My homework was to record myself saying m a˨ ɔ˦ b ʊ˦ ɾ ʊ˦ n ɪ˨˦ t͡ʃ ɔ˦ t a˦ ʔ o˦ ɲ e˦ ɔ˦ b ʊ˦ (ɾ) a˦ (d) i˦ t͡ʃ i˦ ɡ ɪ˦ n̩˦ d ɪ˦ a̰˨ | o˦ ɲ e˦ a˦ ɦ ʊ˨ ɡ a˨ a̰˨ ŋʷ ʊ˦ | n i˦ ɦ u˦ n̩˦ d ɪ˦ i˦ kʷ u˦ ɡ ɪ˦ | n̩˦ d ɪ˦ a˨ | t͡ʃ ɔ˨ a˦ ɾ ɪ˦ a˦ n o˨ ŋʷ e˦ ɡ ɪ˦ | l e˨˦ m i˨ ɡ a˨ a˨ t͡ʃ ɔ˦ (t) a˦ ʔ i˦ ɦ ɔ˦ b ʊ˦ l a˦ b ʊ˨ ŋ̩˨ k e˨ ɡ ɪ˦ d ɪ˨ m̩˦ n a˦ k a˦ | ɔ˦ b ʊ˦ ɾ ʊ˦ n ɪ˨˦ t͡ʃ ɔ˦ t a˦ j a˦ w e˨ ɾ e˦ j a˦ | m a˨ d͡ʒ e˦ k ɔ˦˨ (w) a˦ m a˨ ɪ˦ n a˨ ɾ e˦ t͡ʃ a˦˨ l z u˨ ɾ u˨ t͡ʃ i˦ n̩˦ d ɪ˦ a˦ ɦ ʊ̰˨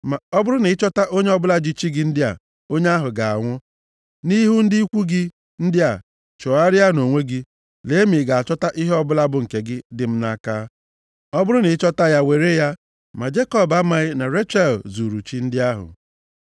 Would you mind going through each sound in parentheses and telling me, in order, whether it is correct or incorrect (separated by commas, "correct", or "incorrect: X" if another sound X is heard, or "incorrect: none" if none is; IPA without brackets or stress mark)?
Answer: incorrect: l, incorrect: d͡ʒ, correct, incorrect: b